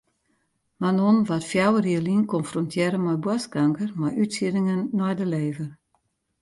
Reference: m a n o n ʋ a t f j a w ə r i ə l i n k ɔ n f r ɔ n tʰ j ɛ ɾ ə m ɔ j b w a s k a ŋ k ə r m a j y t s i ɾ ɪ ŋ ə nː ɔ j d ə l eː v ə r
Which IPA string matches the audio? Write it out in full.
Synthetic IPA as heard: m a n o n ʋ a t f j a w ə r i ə l i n k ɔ n f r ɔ n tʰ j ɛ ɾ ə m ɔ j b w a s k a ŋ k ə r m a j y t s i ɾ ɪ ŋ ə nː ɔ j d ə l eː v ə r